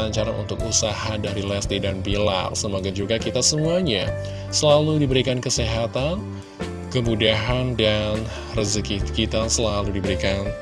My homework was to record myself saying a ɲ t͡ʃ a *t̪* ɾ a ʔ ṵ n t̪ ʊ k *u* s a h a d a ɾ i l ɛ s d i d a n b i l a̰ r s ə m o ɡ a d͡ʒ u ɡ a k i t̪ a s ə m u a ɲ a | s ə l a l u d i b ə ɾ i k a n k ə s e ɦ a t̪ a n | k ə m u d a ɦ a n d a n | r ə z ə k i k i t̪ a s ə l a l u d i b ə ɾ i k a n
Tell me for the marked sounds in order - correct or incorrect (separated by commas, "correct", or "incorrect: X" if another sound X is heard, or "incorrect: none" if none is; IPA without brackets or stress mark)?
incorrect: none, correct